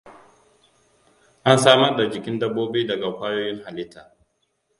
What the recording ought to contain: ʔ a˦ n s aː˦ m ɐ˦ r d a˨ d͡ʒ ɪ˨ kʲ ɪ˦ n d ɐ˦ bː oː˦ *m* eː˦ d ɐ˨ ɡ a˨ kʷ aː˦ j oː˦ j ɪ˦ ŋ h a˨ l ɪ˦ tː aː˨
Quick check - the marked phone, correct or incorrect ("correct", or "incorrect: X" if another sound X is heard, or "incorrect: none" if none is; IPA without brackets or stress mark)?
incorrect: b